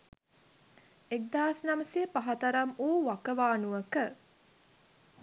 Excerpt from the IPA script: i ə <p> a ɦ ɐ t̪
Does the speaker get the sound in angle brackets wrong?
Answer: no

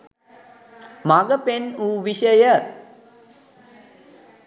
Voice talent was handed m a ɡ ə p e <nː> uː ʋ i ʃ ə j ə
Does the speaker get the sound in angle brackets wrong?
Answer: yes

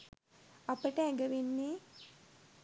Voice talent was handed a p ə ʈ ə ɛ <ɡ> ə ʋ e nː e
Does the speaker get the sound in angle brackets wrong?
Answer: no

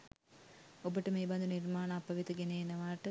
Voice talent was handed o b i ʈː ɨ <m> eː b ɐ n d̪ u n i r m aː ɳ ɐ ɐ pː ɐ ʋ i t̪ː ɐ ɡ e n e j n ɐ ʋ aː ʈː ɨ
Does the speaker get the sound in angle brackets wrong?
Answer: no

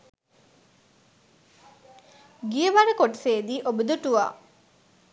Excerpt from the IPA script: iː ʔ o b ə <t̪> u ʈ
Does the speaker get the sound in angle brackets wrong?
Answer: yes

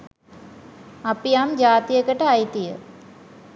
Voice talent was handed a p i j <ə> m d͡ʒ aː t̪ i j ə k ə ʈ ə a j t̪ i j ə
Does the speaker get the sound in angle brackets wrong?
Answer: yes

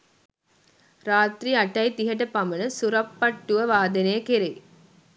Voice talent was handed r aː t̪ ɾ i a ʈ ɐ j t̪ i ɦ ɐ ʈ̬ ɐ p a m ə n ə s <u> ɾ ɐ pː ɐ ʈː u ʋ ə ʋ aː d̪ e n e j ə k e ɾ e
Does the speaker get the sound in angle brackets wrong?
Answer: no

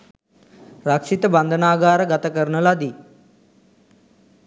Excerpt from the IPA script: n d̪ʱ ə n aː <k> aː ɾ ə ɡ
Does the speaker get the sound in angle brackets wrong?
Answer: yes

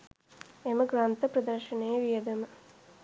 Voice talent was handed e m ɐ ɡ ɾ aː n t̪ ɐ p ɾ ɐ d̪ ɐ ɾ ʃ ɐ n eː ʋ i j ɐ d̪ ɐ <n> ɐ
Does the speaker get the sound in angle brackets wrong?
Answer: yes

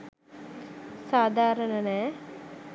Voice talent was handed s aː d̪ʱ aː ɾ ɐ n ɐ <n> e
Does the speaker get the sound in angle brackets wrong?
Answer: no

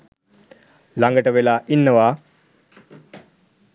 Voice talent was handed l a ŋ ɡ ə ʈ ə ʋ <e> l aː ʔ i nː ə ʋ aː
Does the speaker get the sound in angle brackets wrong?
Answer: no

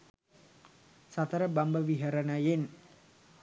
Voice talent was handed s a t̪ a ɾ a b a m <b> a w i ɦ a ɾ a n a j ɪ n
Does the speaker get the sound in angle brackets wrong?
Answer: no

